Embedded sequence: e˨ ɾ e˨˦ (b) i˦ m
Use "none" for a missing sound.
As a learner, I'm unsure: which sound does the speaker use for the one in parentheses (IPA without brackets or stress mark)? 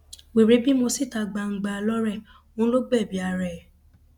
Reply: b